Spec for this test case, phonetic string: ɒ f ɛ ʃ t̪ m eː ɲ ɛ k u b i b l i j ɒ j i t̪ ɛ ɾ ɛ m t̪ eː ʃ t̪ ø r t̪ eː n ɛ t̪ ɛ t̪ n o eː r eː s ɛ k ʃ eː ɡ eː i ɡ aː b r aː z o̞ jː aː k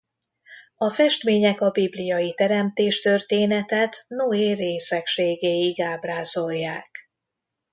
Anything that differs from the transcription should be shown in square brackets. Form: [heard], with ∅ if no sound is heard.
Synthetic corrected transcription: ɒ f ɛ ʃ t̪ m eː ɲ ɛ k [ɒ] b i b l i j ɒ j i t̪ ɛ ɾ ɛ m t̪ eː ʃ t̪ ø r t̪ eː n ɛ t̪ ɛ t̪ n o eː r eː s ɛ k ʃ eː ɡ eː i ɡ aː b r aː z o̞ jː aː k